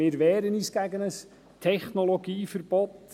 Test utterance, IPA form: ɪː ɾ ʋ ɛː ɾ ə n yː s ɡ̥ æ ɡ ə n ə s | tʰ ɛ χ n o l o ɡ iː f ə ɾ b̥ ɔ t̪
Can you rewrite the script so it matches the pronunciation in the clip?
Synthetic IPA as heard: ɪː ɾ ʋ ɛː ɾ ə n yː s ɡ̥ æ ɡ ə n ə s | tʰ ɛ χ n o l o ɡ iː f ə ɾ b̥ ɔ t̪